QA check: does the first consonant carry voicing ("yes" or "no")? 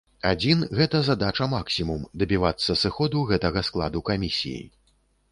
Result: yes